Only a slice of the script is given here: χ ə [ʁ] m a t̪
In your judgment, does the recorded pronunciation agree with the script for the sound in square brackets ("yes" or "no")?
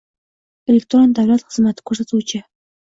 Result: no